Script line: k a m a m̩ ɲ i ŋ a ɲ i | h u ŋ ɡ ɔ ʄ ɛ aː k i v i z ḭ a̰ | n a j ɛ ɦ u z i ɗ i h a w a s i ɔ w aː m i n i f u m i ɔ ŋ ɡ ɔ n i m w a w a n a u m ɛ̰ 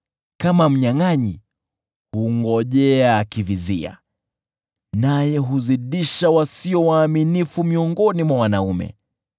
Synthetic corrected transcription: k a m a m̩ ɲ a ŋ a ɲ i | h u ŋ ɡ ɔ ʄ ɛ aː k i v i z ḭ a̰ | n a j ɛ ɦ u z i ɗ i ʃ a w a s i ɔ w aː m i n i f u m i ɔ ŋ ɡ ɔ n i m w a w a n a u m ɛ̰